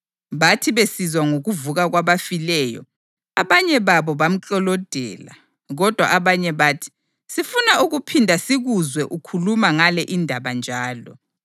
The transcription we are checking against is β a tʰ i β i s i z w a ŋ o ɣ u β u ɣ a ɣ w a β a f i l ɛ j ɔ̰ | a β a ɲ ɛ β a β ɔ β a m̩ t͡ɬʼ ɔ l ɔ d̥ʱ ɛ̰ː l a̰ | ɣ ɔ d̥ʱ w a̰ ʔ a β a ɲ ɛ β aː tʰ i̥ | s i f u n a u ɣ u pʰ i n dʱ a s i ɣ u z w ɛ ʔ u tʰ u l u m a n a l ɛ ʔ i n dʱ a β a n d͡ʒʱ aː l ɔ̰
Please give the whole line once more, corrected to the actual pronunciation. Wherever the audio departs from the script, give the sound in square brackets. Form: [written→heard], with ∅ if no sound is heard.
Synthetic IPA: β a tʰ i β [i→e] s i z w a ŋ o ɣ u [β→v] u ɣ a ɣ w a β a f i l ɛ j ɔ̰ | a β a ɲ ɛ β a β ɔ β a m̩ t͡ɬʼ ɔ l ɔ d̥ʱ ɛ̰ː l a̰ | ɣ ɔ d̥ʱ w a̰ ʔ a β a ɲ ɛ β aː tʰ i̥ | s i f u n a u ɣ u pʰ i n dʱ a s i ɣ u z w ɛ ʔ u [tʰ→kʰ] u l u m a [n→ŋ] a l ɛ ʔ i n dʱ a β a n d͡ʒʱ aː l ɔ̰